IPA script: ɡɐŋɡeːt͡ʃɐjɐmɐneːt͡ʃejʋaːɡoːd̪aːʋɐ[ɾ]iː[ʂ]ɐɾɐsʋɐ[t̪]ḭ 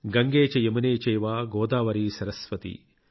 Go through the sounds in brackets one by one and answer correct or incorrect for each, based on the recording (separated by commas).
correct, incorrect, correct